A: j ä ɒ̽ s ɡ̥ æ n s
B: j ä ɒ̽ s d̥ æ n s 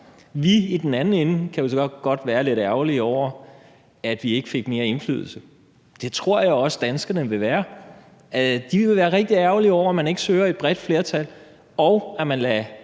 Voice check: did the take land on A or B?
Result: B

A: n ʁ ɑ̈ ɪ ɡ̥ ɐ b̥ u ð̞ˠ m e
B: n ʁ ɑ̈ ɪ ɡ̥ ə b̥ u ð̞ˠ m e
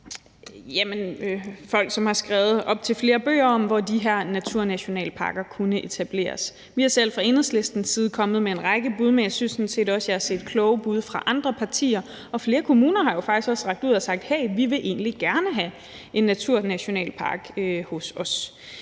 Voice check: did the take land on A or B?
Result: B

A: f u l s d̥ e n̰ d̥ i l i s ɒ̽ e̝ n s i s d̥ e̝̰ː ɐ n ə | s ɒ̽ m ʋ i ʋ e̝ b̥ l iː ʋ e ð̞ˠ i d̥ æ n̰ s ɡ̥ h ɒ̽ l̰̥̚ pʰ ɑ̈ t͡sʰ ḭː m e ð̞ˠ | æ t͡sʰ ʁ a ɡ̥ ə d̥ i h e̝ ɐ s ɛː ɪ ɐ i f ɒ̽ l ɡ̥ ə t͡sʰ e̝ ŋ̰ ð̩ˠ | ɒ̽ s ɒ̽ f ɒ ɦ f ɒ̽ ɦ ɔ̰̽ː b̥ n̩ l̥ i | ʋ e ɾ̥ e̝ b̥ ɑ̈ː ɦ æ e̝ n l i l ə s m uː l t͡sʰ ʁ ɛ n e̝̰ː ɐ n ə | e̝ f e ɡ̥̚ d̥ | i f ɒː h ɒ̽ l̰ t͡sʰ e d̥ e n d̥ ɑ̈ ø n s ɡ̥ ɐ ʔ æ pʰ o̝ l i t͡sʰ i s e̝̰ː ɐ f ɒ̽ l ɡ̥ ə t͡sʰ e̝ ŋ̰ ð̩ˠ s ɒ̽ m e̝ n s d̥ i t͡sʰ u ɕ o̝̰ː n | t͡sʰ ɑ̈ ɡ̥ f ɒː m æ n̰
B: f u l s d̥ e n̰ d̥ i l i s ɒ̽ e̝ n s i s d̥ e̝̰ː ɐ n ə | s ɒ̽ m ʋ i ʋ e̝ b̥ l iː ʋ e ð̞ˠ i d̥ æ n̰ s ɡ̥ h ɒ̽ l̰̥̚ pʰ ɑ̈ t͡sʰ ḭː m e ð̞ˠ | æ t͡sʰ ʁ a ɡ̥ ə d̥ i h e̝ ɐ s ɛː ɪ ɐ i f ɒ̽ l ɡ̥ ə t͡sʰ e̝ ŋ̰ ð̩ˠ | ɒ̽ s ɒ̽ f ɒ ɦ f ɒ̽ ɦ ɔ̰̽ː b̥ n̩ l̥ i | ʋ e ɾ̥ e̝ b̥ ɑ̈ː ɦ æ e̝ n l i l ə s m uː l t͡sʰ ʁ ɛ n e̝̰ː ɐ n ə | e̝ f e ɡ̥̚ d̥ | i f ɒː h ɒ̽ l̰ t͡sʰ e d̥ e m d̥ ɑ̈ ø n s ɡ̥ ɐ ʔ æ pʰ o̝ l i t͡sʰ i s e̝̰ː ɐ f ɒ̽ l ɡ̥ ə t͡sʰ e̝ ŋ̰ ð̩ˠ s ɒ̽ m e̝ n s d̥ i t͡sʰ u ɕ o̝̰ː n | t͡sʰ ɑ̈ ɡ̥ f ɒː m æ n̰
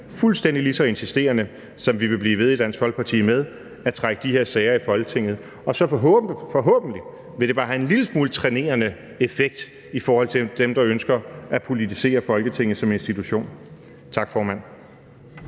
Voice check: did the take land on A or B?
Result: B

